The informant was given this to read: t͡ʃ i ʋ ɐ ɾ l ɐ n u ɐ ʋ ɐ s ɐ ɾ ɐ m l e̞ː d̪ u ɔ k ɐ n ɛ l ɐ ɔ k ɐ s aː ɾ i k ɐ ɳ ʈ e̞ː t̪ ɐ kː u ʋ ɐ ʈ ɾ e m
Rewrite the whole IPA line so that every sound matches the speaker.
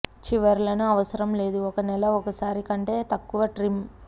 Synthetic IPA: t͡ʃ i ʋ ɐ ɾ l ɐ n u ɐ ʋ ɐ s ɐ ɾ ɐ m l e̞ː d̪ u ɔ k ɐ n ɛ l ɐ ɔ k ɐ s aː ɾ i k ɐ ɳ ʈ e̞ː t̪ ɐ kː u ʋ ɐ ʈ ɾ i m